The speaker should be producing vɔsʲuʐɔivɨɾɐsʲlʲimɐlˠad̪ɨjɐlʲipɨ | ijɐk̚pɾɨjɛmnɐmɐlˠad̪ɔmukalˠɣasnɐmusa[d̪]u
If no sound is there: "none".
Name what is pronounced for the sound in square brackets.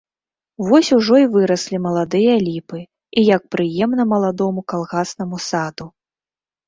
d̪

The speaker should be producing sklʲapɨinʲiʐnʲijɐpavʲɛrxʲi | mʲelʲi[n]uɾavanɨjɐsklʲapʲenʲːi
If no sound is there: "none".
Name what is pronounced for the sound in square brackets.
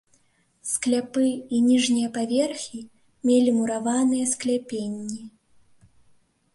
m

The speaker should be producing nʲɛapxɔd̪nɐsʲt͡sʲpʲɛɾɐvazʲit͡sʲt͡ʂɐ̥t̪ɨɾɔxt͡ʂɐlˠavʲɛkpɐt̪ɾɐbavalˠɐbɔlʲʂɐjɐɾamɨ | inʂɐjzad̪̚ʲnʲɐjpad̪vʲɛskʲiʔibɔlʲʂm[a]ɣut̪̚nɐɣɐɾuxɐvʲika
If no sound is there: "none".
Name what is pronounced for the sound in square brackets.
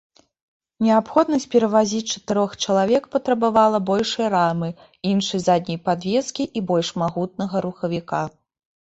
a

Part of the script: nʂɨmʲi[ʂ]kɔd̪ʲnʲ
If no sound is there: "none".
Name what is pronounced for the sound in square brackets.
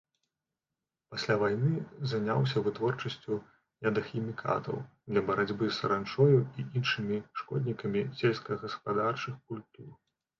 ʂ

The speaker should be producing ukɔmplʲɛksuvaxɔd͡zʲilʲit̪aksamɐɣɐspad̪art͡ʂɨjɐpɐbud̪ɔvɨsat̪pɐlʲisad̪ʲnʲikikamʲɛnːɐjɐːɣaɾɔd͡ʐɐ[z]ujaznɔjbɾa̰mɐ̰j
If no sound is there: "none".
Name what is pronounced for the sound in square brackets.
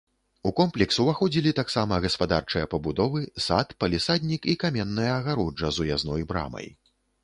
z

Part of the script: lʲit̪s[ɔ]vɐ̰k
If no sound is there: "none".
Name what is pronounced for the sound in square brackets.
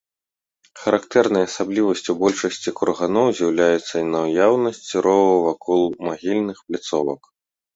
ɔ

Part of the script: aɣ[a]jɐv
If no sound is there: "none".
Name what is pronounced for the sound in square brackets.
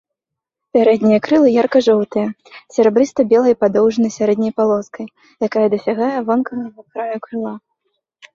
a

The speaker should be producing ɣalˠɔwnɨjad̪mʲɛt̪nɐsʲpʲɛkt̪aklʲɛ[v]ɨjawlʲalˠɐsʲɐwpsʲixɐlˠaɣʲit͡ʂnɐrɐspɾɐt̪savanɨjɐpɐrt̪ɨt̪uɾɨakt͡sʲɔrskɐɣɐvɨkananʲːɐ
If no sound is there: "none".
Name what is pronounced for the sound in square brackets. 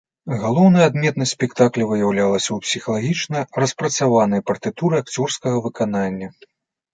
v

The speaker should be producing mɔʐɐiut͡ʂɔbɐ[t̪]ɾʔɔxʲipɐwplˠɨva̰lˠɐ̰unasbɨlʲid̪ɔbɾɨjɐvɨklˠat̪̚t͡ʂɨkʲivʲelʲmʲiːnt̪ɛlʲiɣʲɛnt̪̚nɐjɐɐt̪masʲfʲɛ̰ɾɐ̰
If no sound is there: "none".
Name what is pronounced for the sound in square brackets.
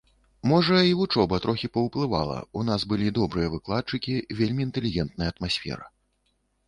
t̪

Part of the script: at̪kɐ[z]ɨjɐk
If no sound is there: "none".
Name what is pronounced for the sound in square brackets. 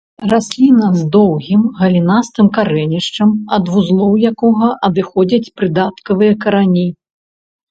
v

